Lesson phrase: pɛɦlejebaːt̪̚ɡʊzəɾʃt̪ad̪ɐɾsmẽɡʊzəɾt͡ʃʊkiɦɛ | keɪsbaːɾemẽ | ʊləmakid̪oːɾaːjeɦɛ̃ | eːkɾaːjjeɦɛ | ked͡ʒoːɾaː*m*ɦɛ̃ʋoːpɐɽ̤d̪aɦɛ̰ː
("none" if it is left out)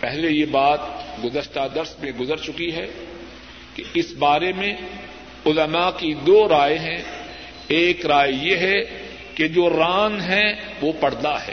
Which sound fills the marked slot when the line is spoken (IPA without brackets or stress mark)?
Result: n